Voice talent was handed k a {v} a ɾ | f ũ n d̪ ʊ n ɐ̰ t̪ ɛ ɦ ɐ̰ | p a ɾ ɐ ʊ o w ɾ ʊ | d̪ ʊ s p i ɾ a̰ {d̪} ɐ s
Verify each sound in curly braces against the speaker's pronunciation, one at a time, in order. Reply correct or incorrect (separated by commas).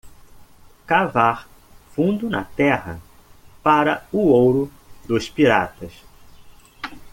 correct, incorrect